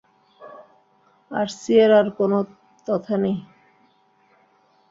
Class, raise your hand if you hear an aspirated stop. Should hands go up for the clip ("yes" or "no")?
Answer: yes